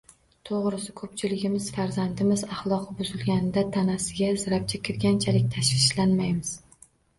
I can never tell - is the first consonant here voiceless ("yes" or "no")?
yes